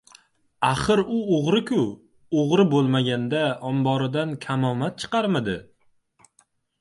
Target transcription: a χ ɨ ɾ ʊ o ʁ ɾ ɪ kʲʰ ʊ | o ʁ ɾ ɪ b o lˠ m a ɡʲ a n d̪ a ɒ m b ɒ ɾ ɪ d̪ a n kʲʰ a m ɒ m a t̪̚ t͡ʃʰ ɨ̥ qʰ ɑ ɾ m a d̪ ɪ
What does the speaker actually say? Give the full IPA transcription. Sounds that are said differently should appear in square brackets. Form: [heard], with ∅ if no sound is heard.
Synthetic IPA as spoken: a χ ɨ ɾ ʊ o ʁ ɾ ɪ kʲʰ ʊ | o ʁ ɾ ɪ b o lˠ m a ɡʲ a n d̪ a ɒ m b ɒ ɾ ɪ d̪ a n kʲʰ a m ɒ m a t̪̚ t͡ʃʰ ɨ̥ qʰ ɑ ɾ m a d̪ ɪ